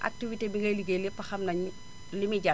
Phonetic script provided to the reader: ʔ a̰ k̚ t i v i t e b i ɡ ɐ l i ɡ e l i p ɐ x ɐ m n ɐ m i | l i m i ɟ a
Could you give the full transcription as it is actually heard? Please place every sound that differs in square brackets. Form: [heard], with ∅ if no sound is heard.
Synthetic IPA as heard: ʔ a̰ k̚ t i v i t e b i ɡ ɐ l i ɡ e l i p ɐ x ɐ m n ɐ [ɲ] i | l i m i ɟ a